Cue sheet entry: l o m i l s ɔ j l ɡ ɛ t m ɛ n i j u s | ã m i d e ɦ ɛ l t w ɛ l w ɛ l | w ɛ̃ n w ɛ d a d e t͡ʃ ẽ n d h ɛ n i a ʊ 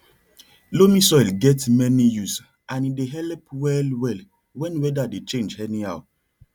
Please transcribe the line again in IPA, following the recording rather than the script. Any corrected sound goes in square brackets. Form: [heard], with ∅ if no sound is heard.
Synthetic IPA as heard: l o m i [∅] s ɔ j l ɡ ɛ t m ɛ n i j u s | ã [n] i d e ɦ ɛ l [p] w ɛ l w ɛ l | w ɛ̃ n w ɛ d a d e t͡ʃ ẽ n [d͡ʒ] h ɛ n i a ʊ